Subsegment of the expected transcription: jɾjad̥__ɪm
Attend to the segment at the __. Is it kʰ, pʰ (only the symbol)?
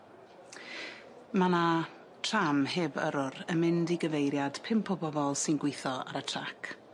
pʰ